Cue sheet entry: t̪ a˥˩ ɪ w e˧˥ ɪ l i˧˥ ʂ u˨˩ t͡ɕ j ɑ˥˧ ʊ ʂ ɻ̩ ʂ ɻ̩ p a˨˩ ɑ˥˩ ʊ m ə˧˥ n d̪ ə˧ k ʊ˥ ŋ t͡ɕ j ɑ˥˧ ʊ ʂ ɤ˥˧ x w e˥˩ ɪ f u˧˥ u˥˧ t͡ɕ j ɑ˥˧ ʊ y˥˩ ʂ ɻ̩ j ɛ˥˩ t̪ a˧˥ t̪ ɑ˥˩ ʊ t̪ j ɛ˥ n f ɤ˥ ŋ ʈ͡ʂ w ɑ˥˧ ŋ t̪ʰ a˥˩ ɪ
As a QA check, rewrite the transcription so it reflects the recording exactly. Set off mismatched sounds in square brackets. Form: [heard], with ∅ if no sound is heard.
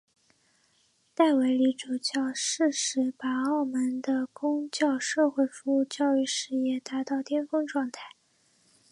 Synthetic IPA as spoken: t̪ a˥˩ ɪ w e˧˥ ɪ l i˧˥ [ʈ͡ʂ] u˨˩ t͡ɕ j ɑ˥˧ ʊ ʂ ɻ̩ ʂ ɻ̩ p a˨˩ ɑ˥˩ ʊ m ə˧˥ n d̪ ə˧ k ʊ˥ ŋ t͡ɕ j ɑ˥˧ ʊ ʂ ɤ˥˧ x w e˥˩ ɪ f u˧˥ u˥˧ t͡ɕ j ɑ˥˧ ʊ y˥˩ ʂ ɻ̩ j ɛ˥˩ t̪ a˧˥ t̪ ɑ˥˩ ʊ t̪ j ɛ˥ n f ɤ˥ ŋ ʈ͡ʂ w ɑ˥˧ ŋ t̪ʰ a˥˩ ɪ